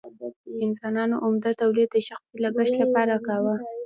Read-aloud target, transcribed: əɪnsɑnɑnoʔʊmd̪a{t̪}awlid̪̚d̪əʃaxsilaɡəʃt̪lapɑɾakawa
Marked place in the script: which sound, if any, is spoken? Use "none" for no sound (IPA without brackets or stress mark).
t̪